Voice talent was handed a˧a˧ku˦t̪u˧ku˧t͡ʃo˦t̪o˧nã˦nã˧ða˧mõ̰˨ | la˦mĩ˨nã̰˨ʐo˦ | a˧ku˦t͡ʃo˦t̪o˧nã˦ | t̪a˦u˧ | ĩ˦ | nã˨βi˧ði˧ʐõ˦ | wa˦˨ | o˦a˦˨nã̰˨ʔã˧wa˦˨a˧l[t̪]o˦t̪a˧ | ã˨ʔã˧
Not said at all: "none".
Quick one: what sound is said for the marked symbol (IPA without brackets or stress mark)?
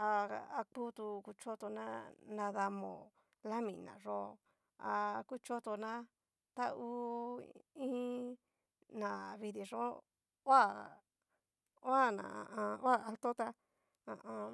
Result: t̪